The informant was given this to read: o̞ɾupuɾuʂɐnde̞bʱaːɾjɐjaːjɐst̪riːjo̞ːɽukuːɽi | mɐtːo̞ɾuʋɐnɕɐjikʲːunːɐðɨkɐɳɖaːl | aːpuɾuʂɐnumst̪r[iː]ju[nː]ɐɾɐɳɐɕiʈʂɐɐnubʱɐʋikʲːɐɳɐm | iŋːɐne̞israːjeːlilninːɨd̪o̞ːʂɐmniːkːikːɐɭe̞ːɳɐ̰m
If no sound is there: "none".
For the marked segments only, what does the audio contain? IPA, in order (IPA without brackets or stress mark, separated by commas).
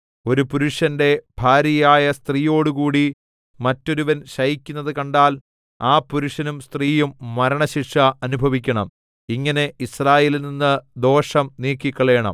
iː, mː